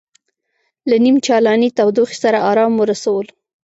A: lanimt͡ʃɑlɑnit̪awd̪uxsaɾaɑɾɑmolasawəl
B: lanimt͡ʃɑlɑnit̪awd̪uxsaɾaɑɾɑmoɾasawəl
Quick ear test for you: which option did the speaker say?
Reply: B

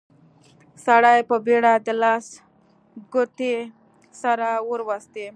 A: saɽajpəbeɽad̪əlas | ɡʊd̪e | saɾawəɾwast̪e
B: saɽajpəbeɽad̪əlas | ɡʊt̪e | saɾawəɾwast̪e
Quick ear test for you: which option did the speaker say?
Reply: B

